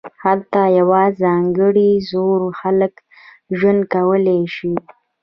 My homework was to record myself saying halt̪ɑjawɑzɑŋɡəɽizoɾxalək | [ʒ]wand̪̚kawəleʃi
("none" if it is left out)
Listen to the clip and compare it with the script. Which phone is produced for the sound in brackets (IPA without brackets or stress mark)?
ʒ